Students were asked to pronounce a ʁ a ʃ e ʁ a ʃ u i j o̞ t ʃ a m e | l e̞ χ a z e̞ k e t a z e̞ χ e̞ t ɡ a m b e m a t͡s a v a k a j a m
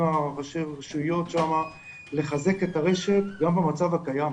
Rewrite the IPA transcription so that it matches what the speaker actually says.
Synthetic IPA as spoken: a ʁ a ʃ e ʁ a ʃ u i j o̞ t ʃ a m a | l e̞ χ a z e̞ k e t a ʁ e̞ ʃ e̞ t ɡ a m b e m a t͡s a v a k a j a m